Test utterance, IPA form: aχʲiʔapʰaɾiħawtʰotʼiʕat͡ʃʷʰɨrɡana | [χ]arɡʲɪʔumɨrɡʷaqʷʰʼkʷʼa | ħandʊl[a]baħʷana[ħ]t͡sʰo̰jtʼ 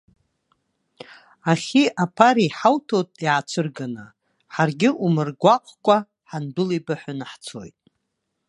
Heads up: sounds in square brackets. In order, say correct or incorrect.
incorrect: ħ, incorrect: i, correct

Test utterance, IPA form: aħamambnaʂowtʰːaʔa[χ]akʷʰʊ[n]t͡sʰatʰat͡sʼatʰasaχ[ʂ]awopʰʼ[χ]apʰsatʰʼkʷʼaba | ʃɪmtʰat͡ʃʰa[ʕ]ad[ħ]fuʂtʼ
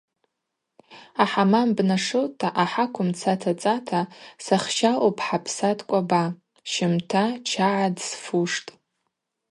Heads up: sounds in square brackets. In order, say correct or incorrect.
incorrect: ħ, incorrect: m, incorrect: ʃ, incorrect: ħ, correct, incorrect: s

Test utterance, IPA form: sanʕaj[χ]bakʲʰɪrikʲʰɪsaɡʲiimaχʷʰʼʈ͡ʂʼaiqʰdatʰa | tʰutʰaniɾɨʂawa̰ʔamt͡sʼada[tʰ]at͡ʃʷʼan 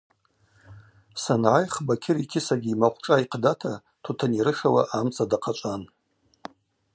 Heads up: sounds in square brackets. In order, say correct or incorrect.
correct, incorrect: qʰ

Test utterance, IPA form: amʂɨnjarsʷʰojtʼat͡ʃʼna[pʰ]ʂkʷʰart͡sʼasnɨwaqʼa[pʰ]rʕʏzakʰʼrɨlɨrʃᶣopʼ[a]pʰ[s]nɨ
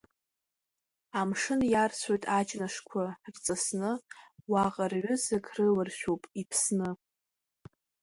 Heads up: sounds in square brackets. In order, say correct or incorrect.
incorrect: none, incorrect: none, incorrect: i, correct

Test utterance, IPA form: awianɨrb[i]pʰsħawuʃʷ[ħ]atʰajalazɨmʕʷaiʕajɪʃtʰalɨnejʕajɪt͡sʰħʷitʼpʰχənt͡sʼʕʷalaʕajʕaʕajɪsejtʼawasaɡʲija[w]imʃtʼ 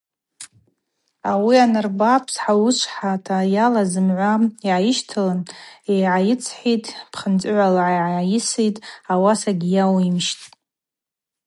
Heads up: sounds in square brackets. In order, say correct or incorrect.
incorrect: a, correct, correct

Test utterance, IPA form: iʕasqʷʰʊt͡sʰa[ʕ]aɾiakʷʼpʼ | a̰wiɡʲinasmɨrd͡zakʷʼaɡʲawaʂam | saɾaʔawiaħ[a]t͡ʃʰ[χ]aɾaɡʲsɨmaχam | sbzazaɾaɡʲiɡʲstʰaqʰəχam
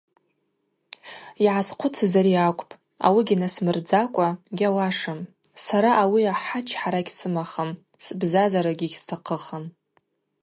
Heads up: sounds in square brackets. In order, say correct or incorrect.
incorrect: z, correct, incorrect: ħ

